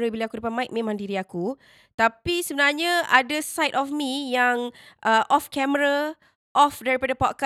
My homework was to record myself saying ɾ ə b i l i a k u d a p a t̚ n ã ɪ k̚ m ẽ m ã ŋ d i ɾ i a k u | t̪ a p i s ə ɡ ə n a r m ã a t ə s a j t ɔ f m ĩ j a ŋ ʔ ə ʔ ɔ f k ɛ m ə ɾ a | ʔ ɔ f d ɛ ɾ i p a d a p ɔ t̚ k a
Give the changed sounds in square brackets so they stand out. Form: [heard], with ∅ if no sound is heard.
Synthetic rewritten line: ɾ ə b i l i a k u d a p a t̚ [m] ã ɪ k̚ m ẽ m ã ŋ d i ɾ i a k u | t̪ a p i s ə [b] ə n a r [ɲ] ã a [d] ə s a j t ɔ f m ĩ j a ŋ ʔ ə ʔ ɔ f k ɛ m ə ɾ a | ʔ ɔ f d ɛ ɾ i p a d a p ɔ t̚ k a